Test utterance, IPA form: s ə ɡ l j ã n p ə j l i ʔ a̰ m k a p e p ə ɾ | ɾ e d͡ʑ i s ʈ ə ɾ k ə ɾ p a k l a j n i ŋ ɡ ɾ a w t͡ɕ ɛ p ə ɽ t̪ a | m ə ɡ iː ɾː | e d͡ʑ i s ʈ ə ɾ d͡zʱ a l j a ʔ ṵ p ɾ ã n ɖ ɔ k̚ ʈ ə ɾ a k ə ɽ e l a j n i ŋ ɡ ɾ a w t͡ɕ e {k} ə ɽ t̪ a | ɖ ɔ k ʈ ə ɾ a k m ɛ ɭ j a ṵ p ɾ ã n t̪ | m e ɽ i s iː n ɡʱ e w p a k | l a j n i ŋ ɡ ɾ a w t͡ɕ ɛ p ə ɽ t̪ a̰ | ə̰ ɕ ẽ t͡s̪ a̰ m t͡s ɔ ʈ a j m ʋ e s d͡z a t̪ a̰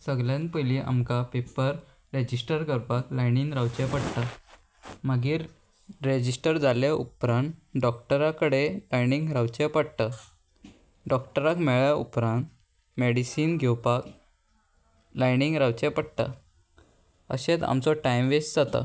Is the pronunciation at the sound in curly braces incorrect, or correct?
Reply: incorrect